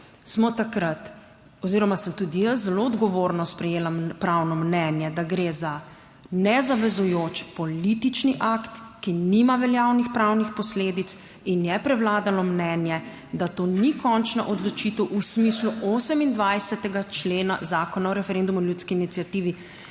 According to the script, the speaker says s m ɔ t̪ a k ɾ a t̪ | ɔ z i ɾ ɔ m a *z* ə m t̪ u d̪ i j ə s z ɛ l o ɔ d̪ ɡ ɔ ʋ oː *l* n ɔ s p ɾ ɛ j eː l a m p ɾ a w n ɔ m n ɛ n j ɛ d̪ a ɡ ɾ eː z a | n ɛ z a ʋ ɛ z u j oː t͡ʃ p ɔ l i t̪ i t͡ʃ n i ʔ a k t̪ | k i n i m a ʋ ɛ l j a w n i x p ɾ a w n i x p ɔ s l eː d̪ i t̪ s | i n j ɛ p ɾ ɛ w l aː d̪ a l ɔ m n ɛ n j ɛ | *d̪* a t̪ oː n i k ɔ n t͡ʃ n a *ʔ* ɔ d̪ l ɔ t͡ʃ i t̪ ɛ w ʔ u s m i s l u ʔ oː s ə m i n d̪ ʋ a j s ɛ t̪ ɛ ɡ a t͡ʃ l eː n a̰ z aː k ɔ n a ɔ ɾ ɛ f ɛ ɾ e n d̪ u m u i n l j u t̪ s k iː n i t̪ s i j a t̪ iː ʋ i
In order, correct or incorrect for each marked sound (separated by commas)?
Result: incorrect, incorrect, correct, correct